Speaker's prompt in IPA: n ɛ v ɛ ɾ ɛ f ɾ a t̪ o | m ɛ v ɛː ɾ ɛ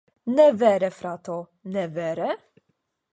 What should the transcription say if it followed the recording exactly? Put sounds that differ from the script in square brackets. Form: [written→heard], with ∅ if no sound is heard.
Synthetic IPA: n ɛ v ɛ ɾ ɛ f ɾ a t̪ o | [m→n] ɛ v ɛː ɾ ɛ